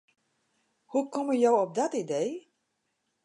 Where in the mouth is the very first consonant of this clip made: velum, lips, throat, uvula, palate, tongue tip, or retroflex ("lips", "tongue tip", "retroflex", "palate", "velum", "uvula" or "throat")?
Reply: throat